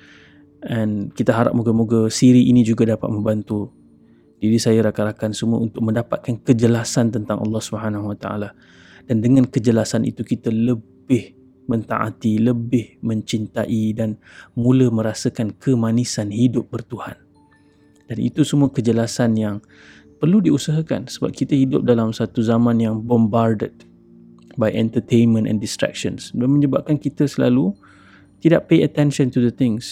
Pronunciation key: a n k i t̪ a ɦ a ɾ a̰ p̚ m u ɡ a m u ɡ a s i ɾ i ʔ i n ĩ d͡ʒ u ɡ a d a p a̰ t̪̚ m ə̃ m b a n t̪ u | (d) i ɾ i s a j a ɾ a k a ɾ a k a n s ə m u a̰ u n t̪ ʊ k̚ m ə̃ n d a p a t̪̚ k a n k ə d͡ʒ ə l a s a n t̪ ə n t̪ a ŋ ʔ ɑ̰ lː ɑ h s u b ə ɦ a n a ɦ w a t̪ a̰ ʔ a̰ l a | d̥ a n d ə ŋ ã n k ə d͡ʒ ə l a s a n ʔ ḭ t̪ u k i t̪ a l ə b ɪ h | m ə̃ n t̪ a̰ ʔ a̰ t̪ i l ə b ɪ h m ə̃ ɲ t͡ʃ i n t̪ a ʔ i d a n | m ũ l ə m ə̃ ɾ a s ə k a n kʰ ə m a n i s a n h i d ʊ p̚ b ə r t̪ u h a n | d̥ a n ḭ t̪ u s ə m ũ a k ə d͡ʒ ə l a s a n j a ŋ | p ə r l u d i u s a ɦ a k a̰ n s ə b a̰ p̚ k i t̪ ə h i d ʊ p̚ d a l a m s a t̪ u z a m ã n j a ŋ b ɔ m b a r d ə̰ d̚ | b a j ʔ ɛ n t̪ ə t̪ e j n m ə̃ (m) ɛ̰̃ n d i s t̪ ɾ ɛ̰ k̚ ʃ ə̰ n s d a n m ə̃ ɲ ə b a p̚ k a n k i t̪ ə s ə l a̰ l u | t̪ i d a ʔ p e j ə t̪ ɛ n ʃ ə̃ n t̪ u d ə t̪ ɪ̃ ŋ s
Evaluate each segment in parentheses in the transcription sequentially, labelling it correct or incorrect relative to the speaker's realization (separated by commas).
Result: correct, incorrect